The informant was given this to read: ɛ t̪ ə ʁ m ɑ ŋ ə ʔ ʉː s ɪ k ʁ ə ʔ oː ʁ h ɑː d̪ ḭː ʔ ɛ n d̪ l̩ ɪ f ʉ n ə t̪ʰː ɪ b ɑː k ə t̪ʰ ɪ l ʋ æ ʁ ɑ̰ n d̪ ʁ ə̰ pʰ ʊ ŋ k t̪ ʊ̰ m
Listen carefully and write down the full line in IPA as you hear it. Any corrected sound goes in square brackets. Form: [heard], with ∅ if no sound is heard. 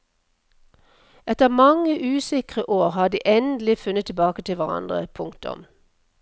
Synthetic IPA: ɛ t̪ ə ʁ m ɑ ŋ ə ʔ ʉː s ɪ k ʁ ə ʔ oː ʁ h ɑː d̪ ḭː ʔ ɛ n d̪ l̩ ɪ f ʉ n ə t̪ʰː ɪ b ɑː k ə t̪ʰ ɪ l ʋ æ ʁ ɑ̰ n d̪ ʁ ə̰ pʰ ʊ ŋ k t̪ ʊ̰ m